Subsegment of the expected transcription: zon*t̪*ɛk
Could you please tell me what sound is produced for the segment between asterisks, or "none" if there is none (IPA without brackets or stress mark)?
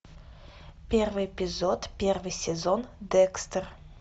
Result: d̪